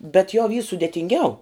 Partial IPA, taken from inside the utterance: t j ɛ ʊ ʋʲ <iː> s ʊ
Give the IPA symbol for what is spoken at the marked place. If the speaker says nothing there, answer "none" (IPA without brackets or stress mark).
iː